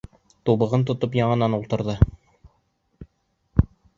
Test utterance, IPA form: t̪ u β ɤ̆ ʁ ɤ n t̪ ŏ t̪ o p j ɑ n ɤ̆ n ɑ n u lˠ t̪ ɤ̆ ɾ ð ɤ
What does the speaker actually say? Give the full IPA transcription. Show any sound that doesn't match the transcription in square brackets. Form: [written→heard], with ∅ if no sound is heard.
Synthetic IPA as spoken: t̪ u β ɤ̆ ʁ ɤ n t̪ ŏ t̪ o p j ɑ [n→ɴ] ɤ̆ n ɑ n u lˠ t̪ ɤ̆ ɾ ð ɤ